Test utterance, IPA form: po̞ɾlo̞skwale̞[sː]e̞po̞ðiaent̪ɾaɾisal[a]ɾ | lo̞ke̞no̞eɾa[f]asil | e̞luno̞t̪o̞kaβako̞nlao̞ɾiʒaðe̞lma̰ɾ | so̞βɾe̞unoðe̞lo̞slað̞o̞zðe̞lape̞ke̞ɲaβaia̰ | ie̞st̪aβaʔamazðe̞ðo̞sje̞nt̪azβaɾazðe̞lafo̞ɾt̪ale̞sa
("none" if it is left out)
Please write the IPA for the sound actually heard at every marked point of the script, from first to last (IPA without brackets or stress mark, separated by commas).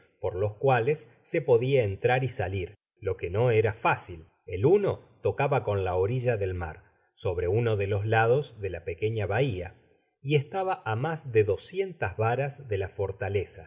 sː, i, f